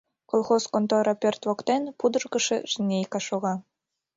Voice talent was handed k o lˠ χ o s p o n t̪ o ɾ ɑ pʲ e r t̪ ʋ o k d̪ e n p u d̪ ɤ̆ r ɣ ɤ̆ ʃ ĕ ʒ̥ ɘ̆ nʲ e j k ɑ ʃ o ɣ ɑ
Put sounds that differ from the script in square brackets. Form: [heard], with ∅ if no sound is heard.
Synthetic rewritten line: k o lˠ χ o s [k] o n t̪ o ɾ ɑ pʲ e r t̪ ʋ o k [t̪] e n p u d̪ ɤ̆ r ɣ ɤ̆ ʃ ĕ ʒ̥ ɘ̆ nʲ e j k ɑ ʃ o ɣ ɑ